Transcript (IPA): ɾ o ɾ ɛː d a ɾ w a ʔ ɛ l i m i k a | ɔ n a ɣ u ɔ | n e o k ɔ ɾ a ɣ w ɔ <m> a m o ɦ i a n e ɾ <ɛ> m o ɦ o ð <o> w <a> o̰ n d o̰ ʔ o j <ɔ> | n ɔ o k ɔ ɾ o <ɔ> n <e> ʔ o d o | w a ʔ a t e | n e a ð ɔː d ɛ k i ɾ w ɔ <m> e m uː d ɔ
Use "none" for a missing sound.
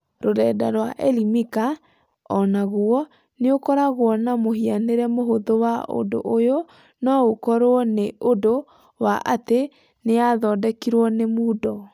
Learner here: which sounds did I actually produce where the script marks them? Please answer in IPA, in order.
n, ɛ, o, a, o, ɔ, e, n

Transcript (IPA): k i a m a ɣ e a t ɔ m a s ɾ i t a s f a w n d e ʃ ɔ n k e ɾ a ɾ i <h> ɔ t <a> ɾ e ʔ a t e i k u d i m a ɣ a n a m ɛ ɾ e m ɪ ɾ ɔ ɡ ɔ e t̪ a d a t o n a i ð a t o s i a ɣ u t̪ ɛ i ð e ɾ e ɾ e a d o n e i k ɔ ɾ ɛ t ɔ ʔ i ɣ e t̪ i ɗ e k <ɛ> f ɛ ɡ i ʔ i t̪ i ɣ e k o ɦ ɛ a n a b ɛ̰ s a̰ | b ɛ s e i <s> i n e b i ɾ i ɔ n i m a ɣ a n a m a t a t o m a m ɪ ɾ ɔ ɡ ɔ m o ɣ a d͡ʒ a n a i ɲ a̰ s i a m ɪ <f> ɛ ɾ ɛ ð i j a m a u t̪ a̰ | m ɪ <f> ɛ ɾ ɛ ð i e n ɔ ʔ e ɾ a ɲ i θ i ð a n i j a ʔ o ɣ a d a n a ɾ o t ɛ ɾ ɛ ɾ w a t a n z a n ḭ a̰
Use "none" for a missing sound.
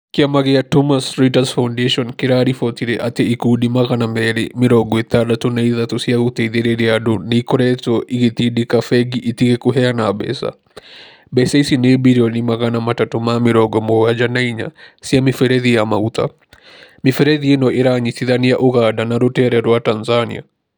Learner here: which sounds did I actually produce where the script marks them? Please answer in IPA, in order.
f, i, a, s, f, f

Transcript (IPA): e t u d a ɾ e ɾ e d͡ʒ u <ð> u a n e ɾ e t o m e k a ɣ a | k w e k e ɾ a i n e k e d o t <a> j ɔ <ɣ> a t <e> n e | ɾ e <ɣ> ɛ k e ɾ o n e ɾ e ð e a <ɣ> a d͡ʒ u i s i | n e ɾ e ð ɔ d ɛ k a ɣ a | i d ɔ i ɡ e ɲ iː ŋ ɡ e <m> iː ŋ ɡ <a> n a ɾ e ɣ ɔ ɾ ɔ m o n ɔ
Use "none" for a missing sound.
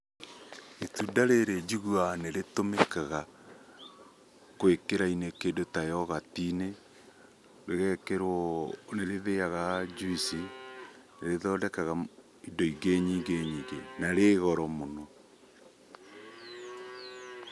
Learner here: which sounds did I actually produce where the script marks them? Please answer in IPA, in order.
ɣ, a, ɣ, i, ɣ, ɣ, ɲ, e

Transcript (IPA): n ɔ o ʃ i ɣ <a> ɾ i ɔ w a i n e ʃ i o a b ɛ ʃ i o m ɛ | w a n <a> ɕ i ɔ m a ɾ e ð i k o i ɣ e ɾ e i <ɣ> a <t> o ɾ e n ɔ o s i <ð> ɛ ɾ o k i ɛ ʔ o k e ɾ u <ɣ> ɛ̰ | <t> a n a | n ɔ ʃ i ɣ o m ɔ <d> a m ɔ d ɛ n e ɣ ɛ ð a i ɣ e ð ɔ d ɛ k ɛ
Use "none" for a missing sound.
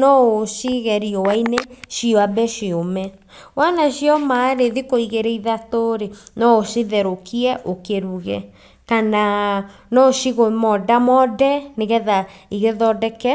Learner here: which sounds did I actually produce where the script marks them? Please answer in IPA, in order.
ɛ, a, ð, t, ð, ɣ, k, d

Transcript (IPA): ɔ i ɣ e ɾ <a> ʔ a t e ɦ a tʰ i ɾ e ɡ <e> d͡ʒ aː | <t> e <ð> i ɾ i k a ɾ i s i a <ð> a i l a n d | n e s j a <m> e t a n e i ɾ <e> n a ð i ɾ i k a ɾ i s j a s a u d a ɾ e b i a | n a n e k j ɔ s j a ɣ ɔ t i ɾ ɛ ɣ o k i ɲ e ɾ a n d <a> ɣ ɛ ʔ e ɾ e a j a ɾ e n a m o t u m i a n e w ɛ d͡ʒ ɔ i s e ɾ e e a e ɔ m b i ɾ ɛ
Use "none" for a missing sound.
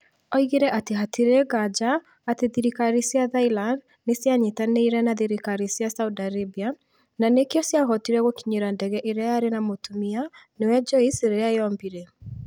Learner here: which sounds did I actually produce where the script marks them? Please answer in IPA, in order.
ɛ, a, t, ð, ð, ɲ, ɛ, ɛ

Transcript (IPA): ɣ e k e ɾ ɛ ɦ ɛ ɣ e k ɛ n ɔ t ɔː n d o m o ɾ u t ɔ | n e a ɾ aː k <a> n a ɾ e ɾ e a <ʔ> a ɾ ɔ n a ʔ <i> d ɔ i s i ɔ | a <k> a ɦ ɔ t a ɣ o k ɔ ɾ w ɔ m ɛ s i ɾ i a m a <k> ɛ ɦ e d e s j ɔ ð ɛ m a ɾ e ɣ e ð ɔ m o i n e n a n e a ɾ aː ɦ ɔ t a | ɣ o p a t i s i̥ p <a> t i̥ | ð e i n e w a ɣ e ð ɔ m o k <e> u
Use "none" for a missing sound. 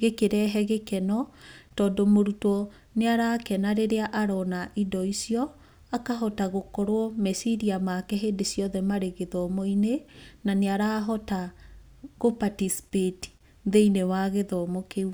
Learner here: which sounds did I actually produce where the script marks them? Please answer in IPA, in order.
ɛ, ʔ, i, k, k, e, e

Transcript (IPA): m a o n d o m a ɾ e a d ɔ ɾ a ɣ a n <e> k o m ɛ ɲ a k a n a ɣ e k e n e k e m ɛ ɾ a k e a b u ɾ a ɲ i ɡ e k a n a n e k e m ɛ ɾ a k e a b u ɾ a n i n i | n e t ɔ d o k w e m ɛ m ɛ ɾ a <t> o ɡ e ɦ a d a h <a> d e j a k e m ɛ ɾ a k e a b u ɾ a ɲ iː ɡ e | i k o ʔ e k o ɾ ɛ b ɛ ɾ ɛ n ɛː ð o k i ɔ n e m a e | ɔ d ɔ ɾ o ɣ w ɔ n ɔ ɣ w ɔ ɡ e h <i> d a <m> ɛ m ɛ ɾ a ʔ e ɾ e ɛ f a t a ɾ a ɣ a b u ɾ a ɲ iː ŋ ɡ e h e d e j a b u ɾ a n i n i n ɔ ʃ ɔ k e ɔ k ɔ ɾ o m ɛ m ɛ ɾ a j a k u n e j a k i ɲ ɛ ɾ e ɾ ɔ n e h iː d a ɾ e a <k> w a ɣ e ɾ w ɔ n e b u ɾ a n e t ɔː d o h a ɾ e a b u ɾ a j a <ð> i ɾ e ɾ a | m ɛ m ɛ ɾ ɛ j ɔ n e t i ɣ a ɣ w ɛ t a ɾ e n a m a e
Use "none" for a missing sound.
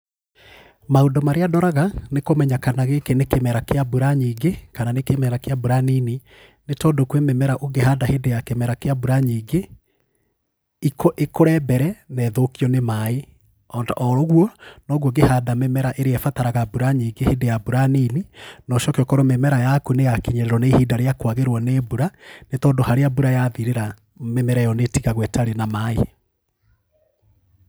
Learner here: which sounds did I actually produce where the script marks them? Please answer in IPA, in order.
e, ʔ, e, a, m, k, ð

